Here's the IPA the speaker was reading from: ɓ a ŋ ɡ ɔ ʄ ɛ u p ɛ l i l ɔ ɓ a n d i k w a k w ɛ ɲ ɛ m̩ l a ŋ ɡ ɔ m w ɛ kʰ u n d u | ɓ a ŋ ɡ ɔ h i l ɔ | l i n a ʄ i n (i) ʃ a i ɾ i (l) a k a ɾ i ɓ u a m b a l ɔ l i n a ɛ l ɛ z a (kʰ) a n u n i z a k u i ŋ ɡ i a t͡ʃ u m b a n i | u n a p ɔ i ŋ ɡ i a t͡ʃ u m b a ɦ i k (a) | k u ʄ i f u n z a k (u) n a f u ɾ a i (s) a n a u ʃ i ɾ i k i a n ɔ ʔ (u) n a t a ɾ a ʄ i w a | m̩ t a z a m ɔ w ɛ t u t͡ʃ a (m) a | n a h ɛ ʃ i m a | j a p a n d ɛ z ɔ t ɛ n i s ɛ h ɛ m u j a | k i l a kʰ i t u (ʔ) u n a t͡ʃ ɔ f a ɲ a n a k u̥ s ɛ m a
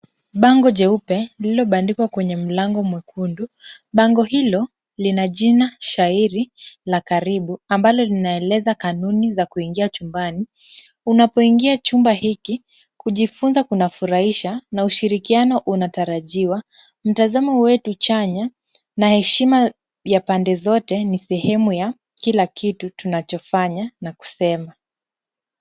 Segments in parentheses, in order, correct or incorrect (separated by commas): incorrect, correct, incorrect, incorrect, correct, incorrect, correct, incorrect, incorrect